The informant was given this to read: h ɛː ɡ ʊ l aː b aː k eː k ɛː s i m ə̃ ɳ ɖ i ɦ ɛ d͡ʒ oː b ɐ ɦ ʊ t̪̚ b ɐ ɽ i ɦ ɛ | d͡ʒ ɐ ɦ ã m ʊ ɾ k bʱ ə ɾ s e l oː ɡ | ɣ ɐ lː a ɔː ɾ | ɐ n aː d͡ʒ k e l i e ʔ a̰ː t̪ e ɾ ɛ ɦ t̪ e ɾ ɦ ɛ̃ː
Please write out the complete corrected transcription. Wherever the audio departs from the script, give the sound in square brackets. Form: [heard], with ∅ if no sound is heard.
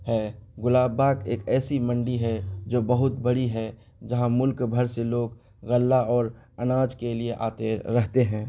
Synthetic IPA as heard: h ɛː ɡ ʊ l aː b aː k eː k ɛː s i m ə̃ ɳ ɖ i ɦ ɛ d͡ʒ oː b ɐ ɦ ʊ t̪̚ b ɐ ɽ i ɦ ɛ | d͡ʒ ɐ ɦ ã m ʊ [l] k bʱ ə ɾ s e l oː ɡ | ɣ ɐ lː a ɔː ɾ | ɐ n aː d͡ʒ k e l i e ʔ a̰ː t̪ e ɾ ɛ ɦ t̪ e [∅] ɦ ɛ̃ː

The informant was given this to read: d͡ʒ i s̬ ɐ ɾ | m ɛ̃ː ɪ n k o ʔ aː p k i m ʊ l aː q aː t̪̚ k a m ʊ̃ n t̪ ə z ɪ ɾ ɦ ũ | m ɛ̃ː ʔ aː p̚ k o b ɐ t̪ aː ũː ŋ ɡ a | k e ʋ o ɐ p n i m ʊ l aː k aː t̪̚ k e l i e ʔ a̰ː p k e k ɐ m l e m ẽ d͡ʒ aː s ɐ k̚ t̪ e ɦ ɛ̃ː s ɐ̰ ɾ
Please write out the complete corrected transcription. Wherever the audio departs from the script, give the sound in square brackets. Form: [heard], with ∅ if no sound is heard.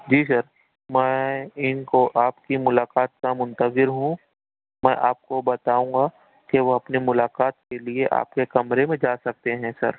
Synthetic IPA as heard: d͡ʒ [iː] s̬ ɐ ɾ | m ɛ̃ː ɪ n k o ʔ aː p k i m ʊ l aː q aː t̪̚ k a m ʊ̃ n t̪ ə z ɪ ɾ ɦ ũ | m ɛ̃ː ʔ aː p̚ k o b ɐ t̪ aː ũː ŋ ɡ a | k e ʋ o ɐ p n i m ʊ l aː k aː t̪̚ k e l i e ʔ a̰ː p k e k ɐ m [ɾ] e m ẽ d͡ʒ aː s ɐ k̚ t̪ e ɦ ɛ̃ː s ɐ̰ ɾ

